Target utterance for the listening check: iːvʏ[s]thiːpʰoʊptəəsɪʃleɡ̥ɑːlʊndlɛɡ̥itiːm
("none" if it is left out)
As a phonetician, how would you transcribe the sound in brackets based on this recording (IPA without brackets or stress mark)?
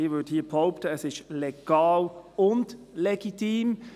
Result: none